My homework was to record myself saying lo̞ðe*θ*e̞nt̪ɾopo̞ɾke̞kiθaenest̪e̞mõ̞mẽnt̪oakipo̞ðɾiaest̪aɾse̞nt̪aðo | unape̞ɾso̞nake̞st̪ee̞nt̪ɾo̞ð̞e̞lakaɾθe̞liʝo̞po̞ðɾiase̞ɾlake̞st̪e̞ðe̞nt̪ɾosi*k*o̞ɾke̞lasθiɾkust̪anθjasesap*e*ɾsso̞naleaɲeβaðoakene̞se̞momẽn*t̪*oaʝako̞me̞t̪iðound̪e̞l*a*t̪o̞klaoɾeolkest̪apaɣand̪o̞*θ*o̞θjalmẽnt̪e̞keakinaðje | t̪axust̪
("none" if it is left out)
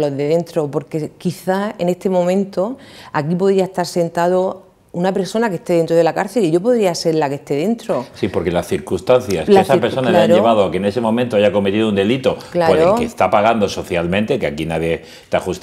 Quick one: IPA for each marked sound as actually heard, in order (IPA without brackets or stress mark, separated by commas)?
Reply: ð, p, e, t̪, i, s